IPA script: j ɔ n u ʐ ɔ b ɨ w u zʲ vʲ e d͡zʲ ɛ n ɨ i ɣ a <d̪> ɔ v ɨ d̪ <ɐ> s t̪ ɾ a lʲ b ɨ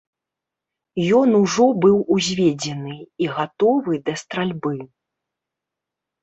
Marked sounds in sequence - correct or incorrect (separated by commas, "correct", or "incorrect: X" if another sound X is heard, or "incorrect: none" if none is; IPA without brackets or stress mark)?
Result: incorrect: t̪, correct